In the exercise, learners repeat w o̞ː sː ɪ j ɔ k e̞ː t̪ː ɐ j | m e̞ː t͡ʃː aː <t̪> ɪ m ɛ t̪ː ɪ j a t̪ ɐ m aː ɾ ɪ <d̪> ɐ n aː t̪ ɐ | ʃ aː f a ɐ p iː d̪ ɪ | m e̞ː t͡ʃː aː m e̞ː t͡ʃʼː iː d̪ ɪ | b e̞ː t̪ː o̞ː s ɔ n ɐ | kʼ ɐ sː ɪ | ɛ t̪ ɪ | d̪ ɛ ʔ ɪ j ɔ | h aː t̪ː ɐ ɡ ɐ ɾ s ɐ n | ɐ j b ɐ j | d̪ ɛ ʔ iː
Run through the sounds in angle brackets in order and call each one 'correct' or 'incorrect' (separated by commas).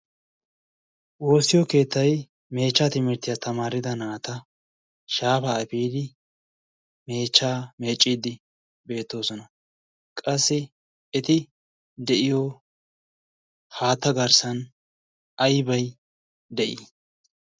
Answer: correct, correct